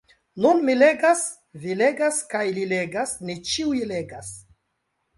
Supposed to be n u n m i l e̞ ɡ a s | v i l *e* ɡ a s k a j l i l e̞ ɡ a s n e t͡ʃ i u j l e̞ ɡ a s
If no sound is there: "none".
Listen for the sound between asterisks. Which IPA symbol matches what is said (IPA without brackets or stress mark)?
e